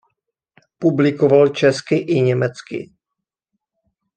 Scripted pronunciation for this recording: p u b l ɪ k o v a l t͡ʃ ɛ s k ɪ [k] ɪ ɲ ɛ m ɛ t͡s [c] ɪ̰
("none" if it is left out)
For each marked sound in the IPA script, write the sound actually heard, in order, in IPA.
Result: ʔ, k

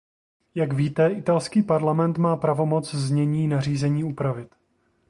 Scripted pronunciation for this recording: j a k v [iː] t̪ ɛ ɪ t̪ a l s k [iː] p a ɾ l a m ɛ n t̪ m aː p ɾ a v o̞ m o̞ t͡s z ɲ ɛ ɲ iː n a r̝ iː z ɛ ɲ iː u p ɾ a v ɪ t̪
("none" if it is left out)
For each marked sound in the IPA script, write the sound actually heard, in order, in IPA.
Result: iː, iː

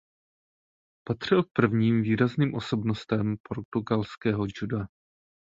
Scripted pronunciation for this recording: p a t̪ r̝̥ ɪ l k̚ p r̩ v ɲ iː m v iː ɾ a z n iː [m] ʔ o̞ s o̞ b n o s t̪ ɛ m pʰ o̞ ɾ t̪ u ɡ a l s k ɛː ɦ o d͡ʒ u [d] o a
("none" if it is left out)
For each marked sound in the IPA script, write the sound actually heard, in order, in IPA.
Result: m, d

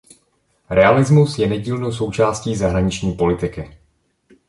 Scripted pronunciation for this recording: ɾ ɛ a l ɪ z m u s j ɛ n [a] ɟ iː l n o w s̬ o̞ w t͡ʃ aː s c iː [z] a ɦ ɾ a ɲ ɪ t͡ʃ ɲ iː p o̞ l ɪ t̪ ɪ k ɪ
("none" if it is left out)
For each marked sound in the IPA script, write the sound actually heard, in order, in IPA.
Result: ɛ, z

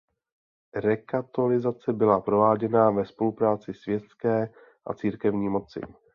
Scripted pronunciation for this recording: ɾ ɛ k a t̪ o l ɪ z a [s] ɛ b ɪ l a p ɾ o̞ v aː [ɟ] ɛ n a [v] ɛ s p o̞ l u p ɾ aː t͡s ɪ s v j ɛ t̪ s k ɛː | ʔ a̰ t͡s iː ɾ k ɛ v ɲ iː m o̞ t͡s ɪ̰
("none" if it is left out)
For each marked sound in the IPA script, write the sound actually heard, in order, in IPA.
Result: t͡s, ɟ, v

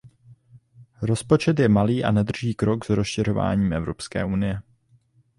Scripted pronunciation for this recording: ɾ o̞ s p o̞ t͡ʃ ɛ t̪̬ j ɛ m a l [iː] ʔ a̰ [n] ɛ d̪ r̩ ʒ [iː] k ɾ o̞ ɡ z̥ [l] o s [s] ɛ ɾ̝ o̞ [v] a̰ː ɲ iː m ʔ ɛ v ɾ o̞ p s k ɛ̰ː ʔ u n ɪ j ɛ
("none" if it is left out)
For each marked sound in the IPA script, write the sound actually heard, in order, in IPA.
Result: iː, n, iː, ɾ, ʃ, v

